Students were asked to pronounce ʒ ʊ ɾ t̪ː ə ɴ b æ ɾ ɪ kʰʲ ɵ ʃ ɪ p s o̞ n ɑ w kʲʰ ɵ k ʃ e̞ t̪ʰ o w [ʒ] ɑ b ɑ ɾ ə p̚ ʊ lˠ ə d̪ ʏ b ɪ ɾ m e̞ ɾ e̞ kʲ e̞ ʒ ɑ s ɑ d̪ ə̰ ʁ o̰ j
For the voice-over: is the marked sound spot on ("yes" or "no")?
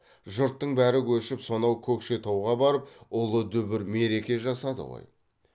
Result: no